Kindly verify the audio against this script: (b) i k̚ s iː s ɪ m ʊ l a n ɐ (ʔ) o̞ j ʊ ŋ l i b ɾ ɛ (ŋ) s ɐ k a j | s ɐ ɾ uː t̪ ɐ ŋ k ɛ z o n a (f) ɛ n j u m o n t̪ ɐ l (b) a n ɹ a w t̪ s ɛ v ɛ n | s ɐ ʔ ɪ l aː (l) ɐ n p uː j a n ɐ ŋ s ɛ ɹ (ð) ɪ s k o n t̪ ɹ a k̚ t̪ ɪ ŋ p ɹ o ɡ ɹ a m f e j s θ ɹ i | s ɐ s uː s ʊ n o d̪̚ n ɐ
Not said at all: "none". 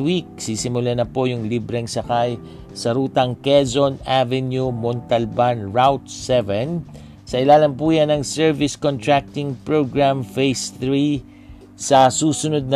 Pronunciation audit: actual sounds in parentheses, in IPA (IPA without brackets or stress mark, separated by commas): w, p, ŋ, v, b, l, v